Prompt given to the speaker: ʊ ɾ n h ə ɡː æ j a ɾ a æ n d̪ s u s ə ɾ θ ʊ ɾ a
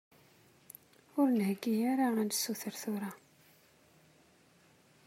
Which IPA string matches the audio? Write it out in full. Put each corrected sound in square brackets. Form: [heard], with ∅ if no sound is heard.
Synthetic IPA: ʊ ɾ n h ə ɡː [i] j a ɾ a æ n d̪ s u [θ] ə ɾ θ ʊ ɾ a